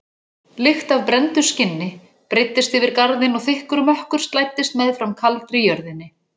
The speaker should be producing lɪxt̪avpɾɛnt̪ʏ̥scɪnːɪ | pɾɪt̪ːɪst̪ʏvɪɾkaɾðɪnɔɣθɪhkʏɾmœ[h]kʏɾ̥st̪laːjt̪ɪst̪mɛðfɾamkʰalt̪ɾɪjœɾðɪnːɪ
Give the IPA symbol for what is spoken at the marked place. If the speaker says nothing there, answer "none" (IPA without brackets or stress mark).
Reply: h